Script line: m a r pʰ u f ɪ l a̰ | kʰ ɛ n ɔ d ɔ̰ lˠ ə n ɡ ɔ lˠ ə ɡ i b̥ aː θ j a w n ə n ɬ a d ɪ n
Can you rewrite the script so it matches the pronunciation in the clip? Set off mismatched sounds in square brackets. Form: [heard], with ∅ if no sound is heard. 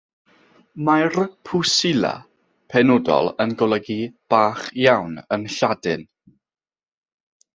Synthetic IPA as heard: m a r pʰ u [s] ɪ l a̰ | [pʰ] ɛ n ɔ d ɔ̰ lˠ ə n ɡ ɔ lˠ ə ɡ i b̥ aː [χ] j a w n ə n ɬ a d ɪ n